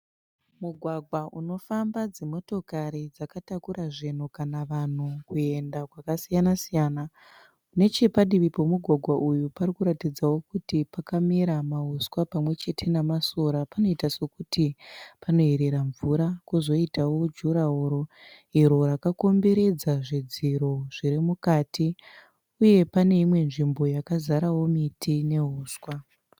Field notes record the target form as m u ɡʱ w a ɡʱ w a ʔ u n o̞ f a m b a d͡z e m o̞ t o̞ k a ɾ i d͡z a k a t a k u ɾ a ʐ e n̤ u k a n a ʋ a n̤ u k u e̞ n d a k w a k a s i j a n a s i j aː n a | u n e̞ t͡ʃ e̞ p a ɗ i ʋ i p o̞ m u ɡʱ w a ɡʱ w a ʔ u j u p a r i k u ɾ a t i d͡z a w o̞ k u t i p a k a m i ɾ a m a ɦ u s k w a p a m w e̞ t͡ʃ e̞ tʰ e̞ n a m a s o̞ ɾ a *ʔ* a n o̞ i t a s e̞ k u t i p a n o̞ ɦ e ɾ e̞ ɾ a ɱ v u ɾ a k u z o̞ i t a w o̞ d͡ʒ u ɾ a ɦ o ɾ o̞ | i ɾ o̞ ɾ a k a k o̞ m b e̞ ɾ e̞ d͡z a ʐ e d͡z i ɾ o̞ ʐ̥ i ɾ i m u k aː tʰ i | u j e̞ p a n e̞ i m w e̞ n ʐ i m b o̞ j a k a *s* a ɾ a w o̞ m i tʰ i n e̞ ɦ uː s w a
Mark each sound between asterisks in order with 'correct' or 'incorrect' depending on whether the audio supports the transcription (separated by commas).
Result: incorrect, incorrect